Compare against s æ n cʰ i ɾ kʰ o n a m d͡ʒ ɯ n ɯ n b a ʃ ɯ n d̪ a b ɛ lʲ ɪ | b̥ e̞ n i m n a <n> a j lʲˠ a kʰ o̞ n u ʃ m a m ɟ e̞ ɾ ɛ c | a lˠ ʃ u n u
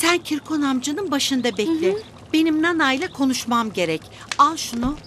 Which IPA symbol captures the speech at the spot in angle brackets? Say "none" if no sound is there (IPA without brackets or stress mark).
n